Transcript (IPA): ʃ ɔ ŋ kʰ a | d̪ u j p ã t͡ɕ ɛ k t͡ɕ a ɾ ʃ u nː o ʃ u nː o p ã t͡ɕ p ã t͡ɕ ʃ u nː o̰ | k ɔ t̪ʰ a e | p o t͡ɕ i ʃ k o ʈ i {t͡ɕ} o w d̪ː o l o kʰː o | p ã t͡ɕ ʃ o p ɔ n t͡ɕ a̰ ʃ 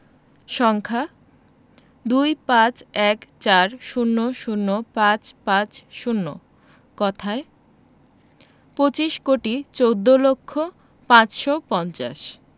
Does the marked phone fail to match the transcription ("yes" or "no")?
no